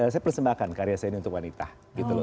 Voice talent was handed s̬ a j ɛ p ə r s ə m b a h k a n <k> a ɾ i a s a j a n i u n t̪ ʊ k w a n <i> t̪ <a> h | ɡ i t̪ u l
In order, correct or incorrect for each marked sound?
correct, correct, correct

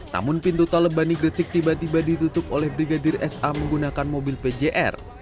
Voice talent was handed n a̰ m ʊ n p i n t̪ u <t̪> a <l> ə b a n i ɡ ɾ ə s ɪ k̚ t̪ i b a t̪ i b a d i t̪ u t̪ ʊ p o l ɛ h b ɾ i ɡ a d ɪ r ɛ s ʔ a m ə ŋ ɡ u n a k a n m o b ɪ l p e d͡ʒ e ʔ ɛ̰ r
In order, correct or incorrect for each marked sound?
correct, correct

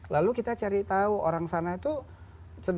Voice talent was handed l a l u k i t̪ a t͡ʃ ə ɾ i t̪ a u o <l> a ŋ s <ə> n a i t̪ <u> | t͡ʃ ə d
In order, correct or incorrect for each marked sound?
incorrect: ɾ, incorrect: a, correct

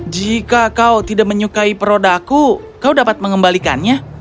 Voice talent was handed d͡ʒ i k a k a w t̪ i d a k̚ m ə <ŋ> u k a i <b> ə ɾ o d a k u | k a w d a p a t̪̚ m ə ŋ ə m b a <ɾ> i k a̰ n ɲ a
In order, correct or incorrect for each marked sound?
incorrect: ɲ, incorrect: p, incorrect: l

